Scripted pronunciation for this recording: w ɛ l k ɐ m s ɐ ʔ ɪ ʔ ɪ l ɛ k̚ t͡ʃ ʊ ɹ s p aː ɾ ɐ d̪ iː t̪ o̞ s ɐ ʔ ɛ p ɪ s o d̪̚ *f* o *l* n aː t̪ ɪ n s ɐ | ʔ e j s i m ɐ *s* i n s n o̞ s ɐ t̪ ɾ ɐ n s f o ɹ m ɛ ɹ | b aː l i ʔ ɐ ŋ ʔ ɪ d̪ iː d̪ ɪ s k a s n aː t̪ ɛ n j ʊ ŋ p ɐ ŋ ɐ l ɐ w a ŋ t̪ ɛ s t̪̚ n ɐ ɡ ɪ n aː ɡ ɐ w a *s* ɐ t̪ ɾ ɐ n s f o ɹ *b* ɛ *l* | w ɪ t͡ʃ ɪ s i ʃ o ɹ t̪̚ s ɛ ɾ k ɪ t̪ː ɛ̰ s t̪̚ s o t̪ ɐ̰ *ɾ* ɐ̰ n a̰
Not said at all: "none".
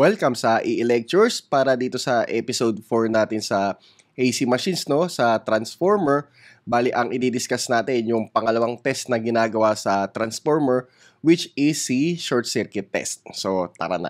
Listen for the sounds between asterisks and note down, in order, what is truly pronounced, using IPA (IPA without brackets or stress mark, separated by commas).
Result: f, ɹ, ʃ, s, m, ɹ, ɾ